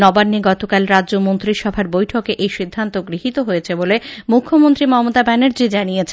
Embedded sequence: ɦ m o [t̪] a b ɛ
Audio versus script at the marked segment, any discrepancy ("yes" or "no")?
no